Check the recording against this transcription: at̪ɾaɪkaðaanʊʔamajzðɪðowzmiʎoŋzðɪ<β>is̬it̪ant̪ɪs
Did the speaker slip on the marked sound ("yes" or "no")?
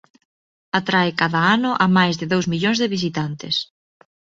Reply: no